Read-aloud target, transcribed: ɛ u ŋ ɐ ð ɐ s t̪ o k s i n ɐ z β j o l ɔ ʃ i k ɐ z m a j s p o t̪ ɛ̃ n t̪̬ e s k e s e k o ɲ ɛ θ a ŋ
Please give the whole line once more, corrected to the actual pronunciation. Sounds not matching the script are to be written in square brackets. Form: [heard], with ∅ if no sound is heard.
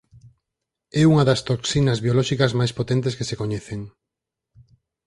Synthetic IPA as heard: ɛ u ŋ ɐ ð ɐ s t̪ o k s i n ɐ z β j o l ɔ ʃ i k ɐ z m a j s p o t̪ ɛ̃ n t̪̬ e s k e s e k o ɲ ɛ θ [e] ŋ

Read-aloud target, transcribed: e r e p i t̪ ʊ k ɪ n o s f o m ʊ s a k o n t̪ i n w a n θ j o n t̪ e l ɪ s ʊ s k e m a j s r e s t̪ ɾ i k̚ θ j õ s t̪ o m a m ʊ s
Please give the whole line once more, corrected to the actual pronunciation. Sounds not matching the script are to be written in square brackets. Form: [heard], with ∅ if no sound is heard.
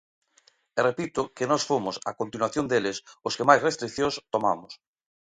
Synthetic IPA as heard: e r e p i t̪ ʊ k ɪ n [ɔ] s f o m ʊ s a k o n t̪ i n w a [∅] θ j o n [d̪] e l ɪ s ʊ s k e m a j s r e s t̪ ɾ i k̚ θ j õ s t̪ o m a m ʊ s

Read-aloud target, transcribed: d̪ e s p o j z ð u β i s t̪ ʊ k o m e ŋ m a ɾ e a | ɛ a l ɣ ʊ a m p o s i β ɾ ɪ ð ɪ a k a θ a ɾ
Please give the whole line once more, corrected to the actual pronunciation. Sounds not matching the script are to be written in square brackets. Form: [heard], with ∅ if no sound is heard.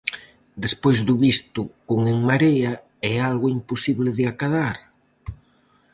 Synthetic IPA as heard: d̪ e s p o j z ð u β i s t̪ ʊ k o [ŋ] e ŋ m a ɾ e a | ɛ a l ɣ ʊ [i] m p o s i β [l] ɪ ð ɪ a k a [ð] a ɾ

